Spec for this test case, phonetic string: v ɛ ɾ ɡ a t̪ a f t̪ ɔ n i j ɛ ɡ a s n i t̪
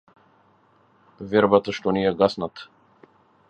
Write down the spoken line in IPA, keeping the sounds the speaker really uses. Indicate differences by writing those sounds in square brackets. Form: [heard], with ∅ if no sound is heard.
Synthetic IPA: v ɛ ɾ [b] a t̪ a [ʃ] t̪ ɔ n i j ɛ ɡ a s n [a] t̪